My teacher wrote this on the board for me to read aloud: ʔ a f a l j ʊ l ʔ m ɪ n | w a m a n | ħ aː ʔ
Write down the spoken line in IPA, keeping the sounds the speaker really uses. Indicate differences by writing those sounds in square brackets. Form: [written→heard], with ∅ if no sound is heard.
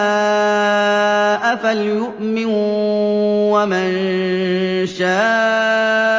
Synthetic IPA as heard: ʔ a f a l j ʊ [l→∅] ʔ m ɪ n | w a m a n | [ħ→ʃ] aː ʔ